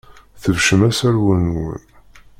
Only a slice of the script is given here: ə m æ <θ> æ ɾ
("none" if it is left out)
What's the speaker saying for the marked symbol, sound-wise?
s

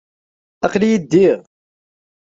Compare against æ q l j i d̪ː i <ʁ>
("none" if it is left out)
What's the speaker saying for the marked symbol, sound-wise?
ʁ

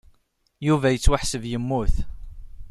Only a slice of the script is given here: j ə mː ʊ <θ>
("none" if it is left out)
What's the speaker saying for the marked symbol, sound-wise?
θ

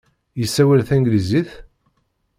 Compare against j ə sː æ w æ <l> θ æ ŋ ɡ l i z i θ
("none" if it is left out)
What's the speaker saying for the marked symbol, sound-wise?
l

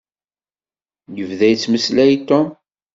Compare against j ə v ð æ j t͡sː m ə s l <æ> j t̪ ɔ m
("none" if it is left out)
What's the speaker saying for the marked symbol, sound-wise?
æ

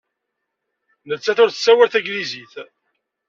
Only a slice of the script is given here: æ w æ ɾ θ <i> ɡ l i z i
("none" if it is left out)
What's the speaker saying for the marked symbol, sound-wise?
æ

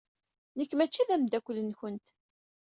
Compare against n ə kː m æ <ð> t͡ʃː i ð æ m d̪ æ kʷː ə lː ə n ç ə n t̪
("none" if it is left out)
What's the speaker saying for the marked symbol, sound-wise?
none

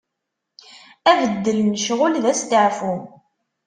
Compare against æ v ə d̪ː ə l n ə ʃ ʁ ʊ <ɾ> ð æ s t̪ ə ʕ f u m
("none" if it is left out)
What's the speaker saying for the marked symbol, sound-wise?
l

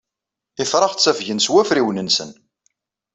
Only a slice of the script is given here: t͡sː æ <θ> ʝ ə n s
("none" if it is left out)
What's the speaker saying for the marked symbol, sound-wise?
f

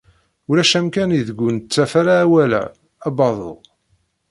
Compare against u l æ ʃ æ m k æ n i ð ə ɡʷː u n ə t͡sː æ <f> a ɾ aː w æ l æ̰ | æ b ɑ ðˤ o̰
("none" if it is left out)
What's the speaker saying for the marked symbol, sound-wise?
f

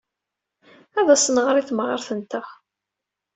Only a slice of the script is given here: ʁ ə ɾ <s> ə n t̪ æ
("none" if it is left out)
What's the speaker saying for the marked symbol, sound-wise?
θ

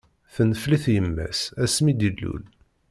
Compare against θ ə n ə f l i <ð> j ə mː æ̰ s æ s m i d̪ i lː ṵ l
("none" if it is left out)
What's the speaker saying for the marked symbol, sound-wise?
θ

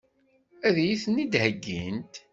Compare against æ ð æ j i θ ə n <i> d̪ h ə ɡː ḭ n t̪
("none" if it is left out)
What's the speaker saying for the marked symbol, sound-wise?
i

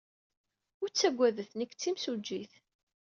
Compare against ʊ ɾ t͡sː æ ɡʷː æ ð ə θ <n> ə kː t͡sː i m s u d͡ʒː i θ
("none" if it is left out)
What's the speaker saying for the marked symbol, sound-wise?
n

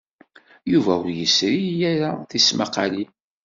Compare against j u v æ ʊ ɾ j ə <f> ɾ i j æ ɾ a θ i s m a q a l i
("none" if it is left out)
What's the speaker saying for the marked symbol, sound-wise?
s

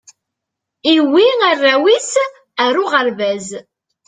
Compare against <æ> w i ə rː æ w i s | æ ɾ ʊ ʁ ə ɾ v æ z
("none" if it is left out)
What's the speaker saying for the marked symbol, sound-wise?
i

